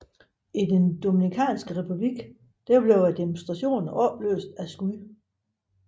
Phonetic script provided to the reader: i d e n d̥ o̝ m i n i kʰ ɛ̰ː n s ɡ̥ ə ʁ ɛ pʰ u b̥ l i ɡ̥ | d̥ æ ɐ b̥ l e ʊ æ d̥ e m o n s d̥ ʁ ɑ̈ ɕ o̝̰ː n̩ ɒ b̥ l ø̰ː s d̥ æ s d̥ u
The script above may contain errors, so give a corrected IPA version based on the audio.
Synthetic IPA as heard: i d e n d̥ o̝ m i n i kʰ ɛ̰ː n s ɡ̥ ə ʁ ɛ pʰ u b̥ l i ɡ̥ | d̥ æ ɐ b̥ l e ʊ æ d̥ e m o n s d̥ ʁ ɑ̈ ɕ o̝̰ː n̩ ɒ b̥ l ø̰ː s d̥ æ s ɡ̥ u